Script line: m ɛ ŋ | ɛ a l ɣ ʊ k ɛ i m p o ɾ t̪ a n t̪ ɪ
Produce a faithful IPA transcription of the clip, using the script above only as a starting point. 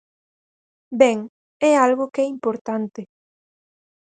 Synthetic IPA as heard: b ɛ ŋ | ɛ a l ɣ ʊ k ɛ i m p o ɾ t̪ a n t̪ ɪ